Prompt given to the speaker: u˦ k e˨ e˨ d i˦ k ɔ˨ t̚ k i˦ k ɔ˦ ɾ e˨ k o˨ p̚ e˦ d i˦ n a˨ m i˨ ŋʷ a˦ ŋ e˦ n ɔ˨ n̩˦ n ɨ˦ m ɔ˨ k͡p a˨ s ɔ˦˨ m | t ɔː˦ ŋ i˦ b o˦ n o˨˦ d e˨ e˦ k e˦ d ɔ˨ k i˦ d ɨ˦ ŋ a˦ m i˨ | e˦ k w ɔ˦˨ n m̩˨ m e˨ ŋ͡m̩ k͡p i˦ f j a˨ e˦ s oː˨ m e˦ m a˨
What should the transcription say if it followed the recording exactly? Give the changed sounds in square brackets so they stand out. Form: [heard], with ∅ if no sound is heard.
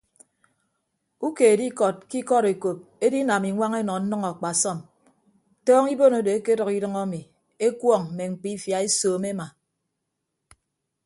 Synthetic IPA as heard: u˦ k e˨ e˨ d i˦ k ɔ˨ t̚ k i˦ k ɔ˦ ɾ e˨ k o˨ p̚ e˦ d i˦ n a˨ m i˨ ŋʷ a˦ ŋ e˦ n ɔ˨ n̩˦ n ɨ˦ [ŋ] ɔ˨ k͡p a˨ s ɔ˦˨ m | t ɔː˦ ŋ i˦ b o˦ n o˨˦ d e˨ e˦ k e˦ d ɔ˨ k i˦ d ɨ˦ ŋ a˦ m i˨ | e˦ k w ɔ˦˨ [ŋ] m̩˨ m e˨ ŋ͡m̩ k͡p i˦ f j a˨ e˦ s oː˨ m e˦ m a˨